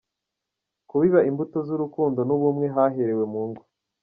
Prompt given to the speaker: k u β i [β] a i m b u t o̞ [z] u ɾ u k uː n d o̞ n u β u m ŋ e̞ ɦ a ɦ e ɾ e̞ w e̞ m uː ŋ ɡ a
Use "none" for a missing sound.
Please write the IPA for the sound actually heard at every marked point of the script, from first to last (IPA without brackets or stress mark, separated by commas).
β, z